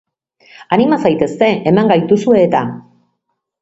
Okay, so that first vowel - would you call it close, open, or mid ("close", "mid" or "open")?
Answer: open